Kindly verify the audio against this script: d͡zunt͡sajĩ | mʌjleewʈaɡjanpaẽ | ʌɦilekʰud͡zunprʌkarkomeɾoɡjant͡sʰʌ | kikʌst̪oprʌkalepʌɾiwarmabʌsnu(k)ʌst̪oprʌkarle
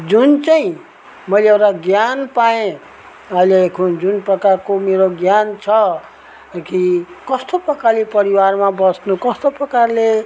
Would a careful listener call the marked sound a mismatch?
no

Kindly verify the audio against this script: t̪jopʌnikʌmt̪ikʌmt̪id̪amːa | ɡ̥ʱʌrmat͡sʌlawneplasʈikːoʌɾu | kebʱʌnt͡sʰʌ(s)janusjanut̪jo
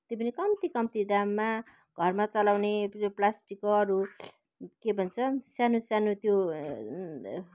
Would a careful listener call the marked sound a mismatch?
no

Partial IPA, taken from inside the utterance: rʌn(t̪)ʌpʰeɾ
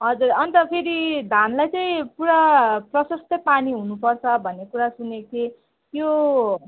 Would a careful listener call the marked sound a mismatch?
no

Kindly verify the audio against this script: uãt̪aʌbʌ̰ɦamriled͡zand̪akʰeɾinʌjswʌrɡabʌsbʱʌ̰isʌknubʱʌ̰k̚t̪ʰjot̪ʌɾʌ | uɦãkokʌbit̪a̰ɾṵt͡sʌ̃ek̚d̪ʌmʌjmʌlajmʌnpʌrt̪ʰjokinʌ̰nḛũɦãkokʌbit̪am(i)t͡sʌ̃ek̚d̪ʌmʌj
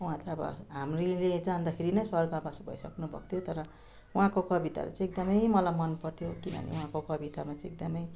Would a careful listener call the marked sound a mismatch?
yes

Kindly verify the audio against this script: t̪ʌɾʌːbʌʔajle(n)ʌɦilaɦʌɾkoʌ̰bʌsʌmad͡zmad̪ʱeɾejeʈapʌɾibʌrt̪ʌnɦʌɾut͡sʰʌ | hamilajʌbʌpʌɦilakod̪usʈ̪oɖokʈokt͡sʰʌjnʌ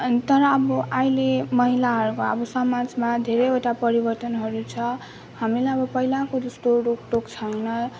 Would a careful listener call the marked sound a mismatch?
yes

